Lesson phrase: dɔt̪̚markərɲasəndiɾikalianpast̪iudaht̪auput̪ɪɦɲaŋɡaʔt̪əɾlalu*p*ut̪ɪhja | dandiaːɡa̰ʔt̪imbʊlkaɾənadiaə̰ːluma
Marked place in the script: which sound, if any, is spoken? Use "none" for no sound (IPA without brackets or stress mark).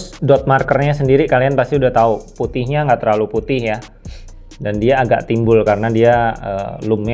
p